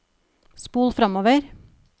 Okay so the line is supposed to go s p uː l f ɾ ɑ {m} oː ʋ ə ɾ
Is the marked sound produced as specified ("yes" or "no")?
yes